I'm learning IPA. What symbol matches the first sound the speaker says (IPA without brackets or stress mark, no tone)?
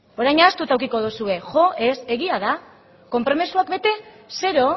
o̞